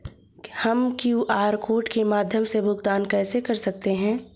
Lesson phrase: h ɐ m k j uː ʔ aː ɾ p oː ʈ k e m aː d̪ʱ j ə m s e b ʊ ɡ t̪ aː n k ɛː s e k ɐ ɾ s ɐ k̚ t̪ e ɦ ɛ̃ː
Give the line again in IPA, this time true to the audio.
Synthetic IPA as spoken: h ɐ m k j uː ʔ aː ɾ k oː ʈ k e m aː d̪ʱ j ə m s e b ʊ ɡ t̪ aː n k ɛː s e k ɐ ɾ s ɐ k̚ t̪ e ɦ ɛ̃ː